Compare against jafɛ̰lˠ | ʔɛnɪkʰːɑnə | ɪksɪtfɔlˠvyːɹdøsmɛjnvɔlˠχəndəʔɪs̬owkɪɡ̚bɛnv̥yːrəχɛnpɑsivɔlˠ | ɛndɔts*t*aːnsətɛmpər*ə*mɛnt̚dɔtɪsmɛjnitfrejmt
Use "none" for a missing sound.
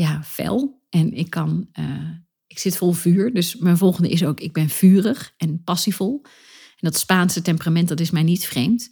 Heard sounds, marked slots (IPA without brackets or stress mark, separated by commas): p, a